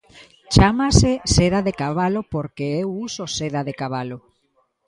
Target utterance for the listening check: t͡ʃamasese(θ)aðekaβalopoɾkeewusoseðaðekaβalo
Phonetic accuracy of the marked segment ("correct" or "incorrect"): incorrect